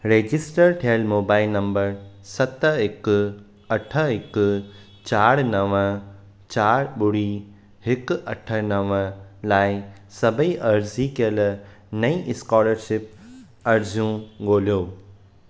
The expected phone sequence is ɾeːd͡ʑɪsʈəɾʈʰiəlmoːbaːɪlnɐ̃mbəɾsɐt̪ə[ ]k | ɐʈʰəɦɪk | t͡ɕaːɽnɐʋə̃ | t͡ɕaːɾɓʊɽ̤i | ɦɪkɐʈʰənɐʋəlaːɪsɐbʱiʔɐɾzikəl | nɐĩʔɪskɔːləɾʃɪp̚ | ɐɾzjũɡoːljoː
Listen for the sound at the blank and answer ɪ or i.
ɪ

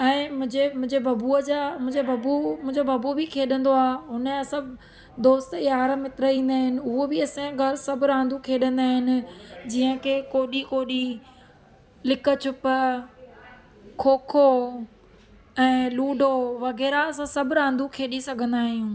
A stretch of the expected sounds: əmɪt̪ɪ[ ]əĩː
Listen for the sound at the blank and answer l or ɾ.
ɾ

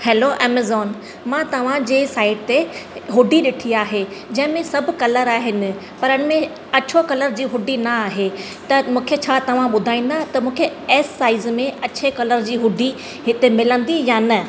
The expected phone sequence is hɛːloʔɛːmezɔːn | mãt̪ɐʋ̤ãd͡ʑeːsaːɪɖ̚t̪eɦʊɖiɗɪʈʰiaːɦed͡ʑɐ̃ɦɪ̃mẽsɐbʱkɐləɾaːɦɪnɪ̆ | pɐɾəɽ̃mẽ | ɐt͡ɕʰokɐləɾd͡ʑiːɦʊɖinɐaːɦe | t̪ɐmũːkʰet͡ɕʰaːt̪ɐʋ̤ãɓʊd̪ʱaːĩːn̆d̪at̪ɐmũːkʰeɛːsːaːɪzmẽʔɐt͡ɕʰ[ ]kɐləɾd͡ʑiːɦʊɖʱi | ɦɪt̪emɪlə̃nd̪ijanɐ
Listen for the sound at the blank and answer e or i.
e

